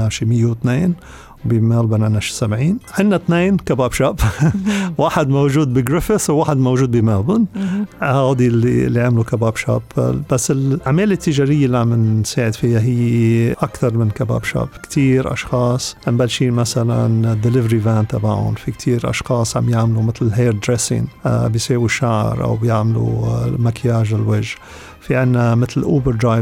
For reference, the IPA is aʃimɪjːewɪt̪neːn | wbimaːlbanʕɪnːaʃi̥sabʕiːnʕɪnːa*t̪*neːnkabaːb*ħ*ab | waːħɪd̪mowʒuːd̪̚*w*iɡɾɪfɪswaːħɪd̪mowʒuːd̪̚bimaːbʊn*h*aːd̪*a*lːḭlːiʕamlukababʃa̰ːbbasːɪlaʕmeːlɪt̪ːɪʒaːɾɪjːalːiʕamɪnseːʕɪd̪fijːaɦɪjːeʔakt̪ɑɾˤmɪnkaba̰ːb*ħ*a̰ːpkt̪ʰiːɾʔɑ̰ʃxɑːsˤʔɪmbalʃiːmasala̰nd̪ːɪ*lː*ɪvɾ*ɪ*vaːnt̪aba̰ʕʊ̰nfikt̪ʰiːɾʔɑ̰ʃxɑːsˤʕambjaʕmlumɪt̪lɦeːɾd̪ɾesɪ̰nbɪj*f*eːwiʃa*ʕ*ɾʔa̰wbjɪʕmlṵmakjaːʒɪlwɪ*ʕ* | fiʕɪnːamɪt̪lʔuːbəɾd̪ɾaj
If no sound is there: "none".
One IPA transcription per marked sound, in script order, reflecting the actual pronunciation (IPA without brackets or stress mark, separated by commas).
t̪, ʃ, b, h, i, ʃ, l, i, s, ʕ, ʒ